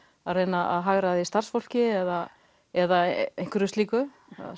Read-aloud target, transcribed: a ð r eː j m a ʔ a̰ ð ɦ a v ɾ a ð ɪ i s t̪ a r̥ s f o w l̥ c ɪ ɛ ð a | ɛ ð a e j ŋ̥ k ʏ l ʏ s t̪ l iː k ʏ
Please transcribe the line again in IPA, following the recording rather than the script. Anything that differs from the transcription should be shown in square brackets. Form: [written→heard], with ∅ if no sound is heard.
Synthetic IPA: a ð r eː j [m→n] a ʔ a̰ ð ɦ a [v→ɣ] ɾ a ð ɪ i s t̪ a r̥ s f o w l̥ c ɪ ɛ ð a | ɛ ð a e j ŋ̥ k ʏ [l→ɾ] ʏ s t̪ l iː k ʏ